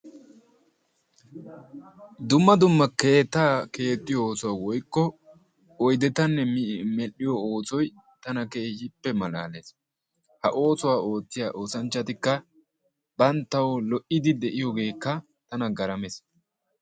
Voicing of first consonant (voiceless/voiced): voiced